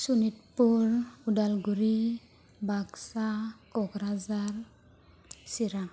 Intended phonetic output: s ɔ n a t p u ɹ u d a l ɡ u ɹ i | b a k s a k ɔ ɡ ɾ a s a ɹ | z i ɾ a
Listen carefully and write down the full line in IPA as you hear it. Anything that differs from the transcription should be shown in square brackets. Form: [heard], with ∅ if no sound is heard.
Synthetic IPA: s [u] n [i] t p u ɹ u d a l ɡ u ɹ i | b a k s a k ɔ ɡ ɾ a [z] a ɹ | [s] i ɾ a